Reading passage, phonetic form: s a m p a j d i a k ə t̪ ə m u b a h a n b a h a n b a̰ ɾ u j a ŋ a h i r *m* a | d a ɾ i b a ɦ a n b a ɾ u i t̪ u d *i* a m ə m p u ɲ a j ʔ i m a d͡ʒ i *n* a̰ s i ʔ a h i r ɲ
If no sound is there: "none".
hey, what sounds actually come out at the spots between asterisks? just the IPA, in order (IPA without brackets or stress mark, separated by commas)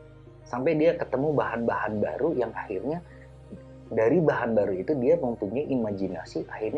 ɲ, i, n